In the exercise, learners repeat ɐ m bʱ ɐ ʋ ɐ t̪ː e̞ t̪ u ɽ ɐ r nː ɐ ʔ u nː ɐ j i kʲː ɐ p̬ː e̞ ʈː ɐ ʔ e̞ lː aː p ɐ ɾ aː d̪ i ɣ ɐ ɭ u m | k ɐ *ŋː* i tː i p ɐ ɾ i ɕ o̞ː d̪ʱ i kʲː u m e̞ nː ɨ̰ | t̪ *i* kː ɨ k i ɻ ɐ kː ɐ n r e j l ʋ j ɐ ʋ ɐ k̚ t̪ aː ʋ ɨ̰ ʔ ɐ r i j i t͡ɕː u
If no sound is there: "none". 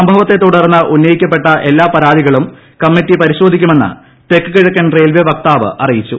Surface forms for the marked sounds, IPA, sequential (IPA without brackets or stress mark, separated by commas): mː, e